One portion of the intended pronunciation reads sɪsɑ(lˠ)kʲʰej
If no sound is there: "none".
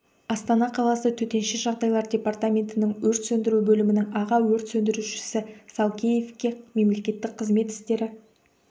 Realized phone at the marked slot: lˠ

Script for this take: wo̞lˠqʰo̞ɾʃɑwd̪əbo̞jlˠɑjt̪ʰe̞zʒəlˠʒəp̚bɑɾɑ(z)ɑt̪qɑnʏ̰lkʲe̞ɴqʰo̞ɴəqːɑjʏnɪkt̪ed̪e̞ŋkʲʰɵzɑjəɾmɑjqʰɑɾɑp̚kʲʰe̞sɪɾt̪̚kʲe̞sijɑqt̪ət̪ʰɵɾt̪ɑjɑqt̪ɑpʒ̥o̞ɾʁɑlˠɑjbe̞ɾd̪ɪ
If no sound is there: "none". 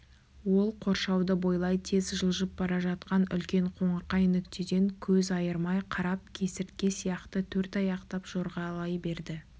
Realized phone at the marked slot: ʒ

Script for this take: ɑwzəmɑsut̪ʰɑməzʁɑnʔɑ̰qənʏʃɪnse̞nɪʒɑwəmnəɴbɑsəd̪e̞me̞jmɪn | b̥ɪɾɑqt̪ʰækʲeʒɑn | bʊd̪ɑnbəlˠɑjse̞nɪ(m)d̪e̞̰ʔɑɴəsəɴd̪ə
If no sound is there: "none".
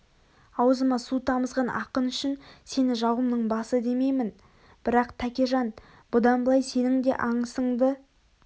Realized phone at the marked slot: ŋ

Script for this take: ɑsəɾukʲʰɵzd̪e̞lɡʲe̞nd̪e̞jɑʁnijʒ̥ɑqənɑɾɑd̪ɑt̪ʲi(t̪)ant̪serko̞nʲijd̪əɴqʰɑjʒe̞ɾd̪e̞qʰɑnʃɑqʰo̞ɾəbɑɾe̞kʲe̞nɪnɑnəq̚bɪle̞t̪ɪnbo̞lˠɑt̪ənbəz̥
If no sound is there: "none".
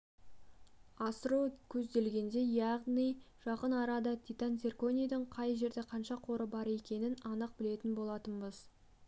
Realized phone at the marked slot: t̪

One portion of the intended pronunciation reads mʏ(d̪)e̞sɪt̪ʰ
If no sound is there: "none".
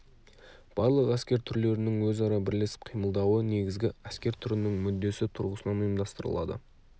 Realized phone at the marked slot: d̪ː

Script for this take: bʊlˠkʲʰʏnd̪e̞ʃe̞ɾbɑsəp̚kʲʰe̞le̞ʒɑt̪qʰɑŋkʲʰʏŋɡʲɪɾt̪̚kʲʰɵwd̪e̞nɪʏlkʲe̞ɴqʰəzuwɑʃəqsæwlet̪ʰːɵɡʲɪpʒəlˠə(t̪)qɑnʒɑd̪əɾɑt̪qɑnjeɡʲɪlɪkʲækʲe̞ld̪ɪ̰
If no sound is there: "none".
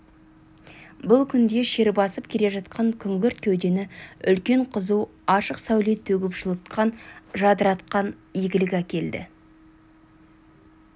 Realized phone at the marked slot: t̪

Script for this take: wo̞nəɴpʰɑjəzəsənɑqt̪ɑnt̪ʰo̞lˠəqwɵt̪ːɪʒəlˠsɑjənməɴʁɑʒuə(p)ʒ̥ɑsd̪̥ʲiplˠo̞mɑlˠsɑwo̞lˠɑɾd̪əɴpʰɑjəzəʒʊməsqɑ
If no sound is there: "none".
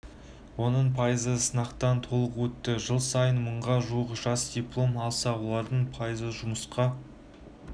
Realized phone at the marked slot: q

